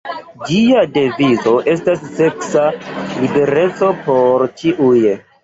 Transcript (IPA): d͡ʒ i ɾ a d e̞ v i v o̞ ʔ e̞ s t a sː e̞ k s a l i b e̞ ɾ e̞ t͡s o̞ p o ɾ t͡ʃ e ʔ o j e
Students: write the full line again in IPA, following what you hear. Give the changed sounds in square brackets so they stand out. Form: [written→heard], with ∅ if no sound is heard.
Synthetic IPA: d͡ʒ i [ɾ→∅] a d e̞ v i [v→z] o̞ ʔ e̞ s t a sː e̞ k s a l i b e̞ ɾ e̞ t͡s o̞ p o ɾ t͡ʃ [e→i] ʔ [o→u] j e